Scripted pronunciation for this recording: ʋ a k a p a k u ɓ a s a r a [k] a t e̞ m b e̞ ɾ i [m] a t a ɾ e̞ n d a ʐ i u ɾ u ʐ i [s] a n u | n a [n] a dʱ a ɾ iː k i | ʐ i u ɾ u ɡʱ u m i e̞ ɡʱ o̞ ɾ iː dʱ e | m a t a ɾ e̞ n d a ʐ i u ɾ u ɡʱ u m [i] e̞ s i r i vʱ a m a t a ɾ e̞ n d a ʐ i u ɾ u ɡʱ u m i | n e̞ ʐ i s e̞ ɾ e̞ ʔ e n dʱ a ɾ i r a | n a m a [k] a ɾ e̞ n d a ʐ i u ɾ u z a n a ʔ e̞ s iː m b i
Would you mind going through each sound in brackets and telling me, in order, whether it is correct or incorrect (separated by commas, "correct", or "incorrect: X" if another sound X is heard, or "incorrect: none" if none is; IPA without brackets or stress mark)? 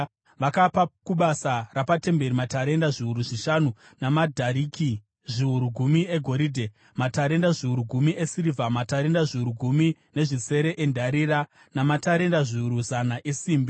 incorrect: p, correct, incorrect: ʃ, incorrect: m, correct, incorrect: t